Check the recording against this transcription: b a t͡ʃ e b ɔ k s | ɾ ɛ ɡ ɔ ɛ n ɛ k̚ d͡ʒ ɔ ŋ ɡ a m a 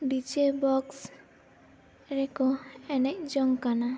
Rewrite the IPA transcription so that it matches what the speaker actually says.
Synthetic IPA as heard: b i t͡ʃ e b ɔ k s | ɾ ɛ k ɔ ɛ n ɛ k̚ d͡ʒ ɔ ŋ k a n a